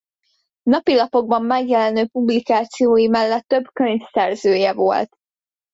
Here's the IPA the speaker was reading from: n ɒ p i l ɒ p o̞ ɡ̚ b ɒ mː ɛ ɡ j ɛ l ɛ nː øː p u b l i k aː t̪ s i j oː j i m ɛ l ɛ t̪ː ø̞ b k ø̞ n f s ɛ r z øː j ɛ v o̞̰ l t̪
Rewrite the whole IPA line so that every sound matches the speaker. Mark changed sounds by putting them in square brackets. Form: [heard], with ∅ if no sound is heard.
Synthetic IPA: n ɒ p i l ɒ p o̞ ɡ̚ b ɒ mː ɛ ɡ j ɛ l ɛ [n] øː p u b l i k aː t̪ s i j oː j i m ɛ [lː] ɛ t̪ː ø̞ b k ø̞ [ɲ] f s ɛ r z øː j ɛ v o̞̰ l t̪